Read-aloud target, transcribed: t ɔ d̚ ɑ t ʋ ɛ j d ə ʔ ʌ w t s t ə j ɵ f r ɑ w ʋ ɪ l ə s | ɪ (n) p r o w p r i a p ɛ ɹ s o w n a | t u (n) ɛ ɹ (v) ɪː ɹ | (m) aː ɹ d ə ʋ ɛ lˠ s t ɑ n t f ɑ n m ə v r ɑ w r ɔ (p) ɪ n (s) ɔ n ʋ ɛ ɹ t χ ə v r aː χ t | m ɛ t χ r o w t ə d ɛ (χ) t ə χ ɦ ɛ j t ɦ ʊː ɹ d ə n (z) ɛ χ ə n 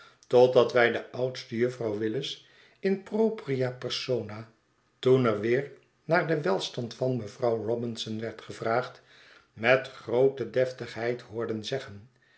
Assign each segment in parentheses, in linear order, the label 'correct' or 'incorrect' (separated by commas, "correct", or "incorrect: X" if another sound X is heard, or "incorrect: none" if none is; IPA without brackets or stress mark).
correct, correct, incorrect: ʋ, incorrect: n, incorrect: b, correct, incorrect: f, correct